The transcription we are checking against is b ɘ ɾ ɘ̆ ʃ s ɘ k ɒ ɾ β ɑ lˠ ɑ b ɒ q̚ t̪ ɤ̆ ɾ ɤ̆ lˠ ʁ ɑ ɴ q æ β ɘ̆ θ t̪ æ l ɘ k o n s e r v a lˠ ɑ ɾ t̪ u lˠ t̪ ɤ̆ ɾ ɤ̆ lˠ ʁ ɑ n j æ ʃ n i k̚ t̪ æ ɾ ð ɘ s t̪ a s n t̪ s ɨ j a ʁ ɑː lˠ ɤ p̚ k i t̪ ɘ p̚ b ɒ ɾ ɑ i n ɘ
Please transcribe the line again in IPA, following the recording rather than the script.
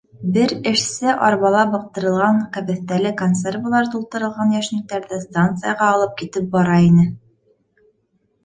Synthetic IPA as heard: b ɘ ɾ ɘ̆ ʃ s ɘ ʔ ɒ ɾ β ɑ lˠ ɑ b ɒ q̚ t̪ ɤ̆ ɾ ɤ̆ lˠ ʁ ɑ ɴ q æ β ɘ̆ θ t̪ æ l ɘ k o n s e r v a lˠ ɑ ɾ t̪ u lˠ t̪ ɤ̆ ɾ ɤ̆ lˠ ʁ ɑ n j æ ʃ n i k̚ t̪ æ ɾ ð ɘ s t̪ a n t̪ s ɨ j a ʁ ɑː lˠ ɤ p̚ k i t̪ ɘ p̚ b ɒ ɾ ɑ i n ɘ

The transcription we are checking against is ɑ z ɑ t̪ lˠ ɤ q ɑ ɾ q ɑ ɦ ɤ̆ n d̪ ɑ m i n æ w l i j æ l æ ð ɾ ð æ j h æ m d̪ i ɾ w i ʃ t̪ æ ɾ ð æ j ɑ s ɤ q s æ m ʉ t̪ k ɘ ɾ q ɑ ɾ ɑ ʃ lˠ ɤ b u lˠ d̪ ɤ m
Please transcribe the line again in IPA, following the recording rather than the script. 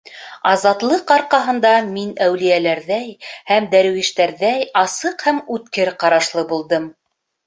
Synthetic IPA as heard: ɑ z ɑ t̪ lˠ ɤ q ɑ ɾ q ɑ ɦ ɤ̆ n d̪ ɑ m i n æ w l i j æ l æ ɾ ð æ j h æ m d̪ æ ɾ w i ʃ t̪ æ ɾ ð æ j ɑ s ɤ q h æ m ʉ t̪ k ɘ ɾ q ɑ ɾ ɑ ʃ lˠ ɤ b u lˠ d̪ ɤ m

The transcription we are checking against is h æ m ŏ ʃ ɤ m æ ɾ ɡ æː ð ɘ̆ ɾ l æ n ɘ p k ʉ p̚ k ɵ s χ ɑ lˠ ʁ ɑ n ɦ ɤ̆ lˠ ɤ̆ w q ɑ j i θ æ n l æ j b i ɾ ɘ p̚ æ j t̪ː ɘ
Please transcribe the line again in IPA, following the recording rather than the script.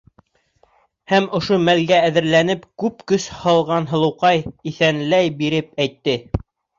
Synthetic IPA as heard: h æ m ŏ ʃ o m æ l ɡ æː ð ɘ̆ ɾ l æ n ɘ p k ʉ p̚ k ɵ s h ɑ lˠ ʁ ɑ n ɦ ɤ̆ lˠ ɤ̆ w q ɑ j i θ æ n l æ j b i ɾ ɘ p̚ æ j t̪ː ɘ

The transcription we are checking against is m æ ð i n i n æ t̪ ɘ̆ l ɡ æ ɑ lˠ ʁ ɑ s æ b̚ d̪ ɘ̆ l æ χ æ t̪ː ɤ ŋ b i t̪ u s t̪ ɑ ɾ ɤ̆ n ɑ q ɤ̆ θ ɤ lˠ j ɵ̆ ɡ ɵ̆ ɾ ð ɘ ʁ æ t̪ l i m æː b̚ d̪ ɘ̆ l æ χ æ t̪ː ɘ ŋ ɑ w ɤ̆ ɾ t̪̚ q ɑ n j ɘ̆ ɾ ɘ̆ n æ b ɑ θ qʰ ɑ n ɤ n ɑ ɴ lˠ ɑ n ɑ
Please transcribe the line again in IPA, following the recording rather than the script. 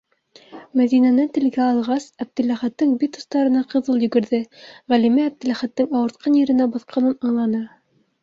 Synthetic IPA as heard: m æ ð i n æ n æ t̪ ɘ̆ l ɡ æ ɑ lˠ ʁ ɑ s æ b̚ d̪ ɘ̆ l æ χ æ t̪ː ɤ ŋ b i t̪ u s t̪ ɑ ɾ ɤ̆ n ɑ q ɤ̆ ð ɤ lˠ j ɵ̆ ɡ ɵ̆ ɾ ð ɘ ʁ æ l i m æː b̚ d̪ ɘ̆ l æ χ æ t̪ː ɘ ŋ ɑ w ɤ̆ ɾ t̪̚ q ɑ n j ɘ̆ ɾ ɘ̆ n æ b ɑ θ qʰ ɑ n ɤ n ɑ ɴ lˠ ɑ n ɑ

